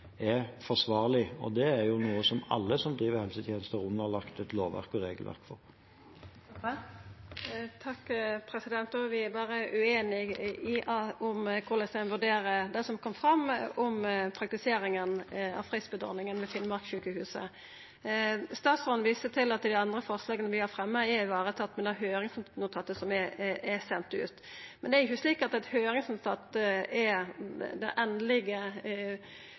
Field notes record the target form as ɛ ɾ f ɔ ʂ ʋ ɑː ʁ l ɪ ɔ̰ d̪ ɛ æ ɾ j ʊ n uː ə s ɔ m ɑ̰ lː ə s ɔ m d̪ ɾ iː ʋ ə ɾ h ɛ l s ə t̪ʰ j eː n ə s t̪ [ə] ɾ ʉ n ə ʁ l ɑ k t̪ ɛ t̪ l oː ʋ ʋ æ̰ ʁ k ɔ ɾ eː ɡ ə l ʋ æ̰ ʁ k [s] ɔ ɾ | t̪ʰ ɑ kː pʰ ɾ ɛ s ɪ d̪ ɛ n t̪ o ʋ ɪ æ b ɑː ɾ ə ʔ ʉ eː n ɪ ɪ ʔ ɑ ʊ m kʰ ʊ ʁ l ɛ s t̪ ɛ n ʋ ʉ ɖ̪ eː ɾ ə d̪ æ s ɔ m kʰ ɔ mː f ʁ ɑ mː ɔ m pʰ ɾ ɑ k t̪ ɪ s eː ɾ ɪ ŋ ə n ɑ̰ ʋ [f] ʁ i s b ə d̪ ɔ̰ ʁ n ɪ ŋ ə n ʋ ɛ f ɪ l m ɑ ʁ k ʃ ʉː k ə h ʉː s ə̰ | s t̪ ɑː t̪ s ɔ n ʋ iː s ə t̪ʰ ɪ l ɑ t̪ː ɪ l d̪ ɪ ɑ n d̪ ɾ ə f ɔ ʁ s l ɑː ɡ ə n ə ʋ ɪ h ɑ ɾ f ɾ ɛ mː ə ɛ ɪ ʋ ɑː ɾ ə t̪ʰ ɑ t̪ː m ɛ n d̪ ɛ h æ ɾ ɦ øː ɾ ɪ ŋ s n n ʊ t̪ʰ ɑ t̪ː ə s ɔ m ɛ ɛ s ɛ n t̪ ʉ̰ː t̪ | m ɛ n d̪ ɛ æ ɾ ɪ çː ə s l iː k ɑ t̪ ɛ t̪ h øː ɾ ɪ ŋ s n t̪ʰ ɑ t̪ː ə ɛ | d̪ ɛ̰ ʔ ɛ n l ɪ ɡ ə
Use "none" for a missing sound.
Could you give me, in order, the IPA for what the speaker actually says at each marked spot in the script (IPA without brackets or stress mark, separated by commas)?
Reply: ə, f, f